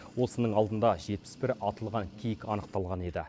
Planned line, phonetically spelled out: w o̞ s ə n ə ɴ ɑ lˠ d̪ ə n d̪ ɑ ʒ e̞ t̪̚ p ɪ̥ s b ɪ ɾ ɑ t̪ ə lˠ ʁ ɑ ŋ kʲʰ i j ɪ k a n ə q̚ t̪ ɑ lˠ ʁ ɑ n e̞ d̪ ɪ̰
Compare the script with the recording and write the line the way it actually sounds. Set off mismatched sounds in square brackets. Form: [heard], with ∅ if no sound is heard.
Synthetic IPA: w o̞ s ə n ə ɴ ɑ lˠ d̪ ə n d̪ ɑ ʒ e̞ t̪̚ p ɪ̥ s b ɪ ɾ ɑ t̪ ə lˠ ʁ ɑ ŋ kʲʰ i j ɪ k [ɑ] n ə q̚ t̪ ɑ lˠ ʁ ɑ n e̞ d̪ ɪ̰